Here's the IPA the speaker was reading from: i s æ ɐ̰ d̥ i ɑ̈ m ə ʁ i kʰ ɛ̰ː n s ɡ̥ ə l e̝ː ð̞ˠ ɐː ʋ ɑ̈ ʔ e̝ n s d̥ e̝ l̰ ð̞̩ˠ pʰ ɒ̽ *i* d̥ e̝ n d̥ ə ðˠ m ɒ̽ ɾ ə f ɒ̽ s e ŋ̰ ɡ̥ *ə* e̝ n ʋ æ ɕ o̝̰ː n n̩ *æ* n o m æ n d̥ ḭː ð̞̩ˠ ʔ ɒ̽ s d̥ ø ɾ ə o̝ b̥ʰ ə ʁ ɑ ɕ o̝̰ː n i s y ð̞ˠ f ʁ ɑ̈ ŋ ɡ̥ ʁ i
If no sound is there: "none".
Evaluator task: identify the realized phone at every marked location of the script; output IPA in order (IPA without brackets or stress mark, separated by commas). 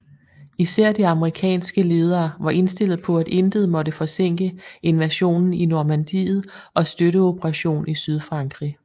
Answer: æ, ə, i